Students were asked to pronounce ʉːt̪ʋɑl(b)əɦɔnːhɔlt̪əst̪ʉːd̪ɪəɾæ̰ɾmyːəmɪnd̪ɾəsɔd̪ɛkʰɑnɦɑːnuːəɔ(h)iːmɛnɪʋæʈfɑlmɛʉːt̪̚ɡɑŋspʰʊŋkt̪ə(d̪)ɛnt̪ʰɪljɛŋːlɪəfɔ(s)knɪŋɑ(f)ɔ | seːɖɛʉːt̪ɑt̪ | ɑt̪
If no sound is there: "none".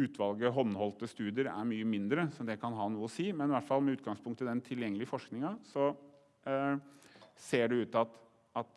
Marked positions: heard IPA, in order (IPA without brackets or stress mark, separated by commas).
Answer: ɡ, s, d̪, ʂ, s